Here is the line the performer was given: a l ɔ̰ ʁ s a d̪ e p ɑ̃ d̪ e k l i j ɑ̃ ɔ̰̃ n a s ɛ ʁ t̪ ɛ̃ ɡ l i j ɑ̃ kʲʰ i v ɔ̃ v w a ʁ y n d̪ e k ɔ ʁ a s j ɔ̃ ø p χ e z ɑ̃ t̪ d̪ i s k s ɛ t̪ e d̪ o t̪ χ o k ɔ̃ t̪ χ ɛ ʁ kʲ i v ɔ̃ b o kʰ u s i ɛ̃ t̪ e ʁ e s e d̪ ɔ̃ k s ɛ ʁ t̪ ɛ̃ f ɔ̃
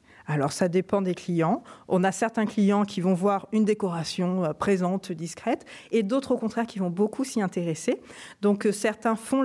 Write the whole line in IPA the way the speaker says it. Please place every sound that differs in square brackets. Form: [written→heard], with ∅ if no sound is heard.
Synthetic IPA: a l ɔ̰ ʁ s a d̪ e p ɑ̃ d̪ e k l i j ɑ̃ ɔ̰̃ n a s ɛ ʁ t̪ ɛ̃ [ɡ→k] l i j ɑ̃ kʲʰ i v ɔ̃ v w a ʁ y n d̪ e k ɔ ʁ a s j ɔ̃ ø p χ e z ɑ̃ t̪ d̪ i s k [s→χ] ɛ t̪ e d̪ o t̪ χ o k ɔ̃ t̪ χ ɛ ʁ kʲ i v ɔ̃ b o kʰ u s i ɛ̃ t̪ e ʁ e s e d̪ ɔ̃ k s ɛ ʁ t̪ ɛ̃ f ɔ̃